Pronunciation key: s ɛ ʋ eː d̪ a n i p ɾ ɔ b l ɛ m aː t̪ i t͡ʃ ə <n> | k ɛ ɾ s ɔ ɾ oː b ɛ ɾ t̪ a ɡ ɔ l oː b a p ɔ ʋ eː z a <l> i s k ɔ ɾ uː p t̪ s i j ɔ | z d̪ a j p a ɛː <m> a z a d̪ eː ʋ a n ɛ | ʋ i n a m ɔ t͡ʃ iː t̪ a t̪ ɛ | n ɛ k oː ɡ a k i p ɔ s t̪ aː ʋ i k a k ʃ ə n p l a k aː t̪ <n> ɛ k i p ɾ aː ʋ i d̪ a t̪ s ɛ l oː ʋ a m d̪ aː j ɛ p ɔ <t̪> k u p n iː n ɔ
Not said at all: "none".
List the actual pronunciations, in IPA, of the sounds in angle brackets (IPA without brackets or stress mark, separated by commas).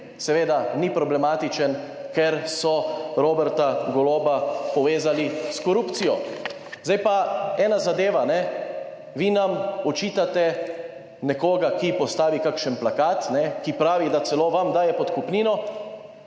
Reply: n, l, n, n, t̪